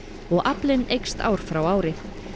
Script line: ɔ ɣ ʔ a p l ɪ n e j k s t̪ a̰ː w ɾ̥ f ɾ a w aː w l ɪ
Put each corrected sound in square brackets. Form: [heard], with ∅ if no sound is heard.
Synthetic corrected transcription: ɔ ɣ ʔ a p l ɪ n e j k s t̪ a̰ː w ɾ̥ f ɾ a w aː w [ɾ] ɪ